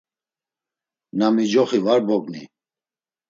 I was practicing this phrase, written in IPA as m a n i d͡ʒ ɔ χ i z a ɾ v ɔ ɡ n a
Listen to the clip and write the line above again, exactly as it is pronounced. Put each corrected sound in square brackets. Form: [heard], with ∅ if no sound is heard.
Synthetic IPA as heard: [n] a [m] i d͡ʒ ɔ χ i [v] a ɾ [b] ɔ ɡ n [i]

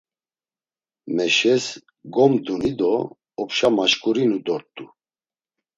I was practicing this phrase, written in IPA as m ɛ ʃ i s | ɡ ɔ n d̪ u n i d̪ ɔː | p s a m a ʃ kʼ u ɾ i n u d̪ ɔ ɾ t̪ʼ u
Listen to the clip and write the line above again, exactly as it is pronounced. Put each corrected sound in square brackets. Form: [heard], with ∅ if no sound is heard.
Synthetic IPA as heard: m ɛ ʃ [ɛ] s | ɡ ɔ [m] d̪ u n i d̪ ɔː | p [ʃ] a m a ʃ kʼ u ɾ i n u d̪ ɔ ɾ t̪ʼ u

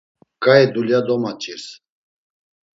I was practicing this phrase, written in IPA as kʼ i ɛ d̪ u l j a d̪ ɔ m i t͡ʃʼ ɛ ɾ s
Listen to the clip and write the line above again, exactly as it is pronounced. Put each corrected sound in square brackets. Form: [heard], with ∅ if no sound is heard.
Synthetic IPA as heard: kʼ [a] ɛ d̪ u l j a d̪ ɔ m [a] t͡ʃʼ [i] ɾ s

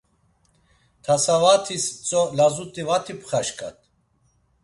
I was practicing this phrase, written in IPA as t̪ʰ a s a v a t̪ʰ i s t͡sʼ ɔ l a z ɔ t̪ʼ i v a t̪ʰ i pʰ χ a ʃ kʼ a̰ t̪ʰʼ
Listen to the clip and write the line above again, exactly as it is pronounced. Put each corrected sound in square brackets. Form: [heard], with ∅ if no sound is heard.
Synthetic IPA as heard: t̪ʰ a s a v a t̪ʰ i s t͡sʼ ɔ l a z [u] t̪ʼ i v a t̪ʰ i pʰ χ a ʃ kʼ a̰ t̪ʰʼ

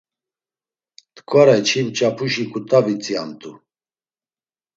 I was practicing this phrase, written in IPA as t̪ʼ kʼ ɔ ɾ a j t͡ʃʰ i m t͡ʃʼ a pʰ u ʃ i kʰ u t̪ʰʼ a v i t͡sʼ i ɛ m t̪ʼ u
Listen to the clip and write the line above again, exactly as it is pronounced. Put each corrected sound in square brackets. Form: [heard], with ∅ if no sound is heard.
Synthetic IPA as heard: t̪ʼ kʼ ɔ ɾ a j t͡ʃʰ i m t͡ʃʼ a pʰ u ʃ i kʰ u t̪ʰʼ a v i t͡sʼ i [a] m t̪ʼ u

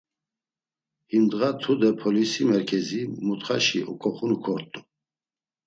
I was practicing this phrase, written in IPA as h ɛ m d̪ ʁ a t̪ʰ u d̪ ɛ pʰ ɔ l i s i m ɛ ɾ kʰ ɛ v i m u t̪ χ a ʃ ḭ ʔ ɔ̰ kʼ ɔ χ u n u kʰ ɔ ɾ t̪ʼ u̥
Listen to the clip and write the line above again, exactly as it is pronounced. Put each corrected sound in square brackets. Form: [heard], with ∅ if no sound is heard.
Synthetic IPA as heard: h [i] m d̪ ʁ a t̪ʰ u d̪ ɛ pʰ ɔ l i s i m ɛ ɾ kʰ ɛ [z] i m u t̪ χ a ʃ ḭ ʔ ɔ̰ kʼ ɔ χ u n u kʰ ɔ ɾ t̪ʼ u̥

